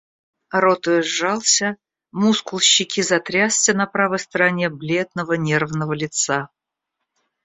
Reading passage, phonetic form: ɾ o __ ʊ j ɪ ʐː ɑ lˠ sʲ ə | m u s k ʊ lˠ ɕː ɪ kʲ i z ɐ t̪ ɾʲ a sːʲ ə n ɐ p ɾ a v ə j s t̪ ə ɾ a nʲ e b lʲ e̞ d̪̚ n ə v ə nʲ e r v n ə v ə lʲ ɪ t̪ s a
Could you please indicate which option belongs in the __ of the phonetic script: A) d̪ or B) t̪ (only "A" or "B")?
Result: B